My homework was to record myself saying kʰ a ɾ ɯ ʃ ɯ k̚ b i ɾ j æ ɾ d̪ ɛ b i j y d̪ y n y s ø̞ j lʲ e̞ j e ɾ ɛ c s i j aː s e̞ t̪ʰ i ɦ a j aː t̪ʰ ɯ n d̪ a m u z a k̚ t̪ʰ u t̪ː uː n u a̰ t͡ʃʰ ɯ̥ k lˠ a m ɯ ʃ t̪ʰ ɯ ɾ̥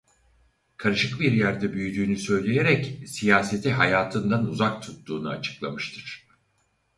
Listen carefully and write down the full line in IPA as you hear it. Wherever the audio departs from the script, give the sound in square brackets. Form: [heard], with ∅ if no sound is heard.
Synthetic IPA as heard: kʰ a ɾ ɯ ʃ ɯ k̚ b i ɾ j æ ɾ d̪ ɛ b [y] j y d̪ [yː] n y s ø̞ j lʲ e̞ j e ɾ ɛ c s i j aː s e̞ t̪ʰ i ɦ a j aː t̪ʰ ɯ n d̪ a [n] u z a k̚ t̪ʰ u t̪ː uː n u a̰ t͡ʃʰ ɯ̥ k lˠ a m ɯ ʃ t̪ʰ ɯ ɾ̥